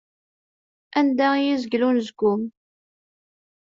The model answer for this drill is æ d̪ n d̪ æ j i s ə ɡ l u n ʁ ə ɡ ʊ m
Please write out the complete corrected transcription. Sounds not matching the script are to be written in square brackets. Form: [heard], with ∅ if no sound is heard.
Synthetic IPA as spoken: æ [∅] n d̪ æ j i [z] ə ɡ l u n [z] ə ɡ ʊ m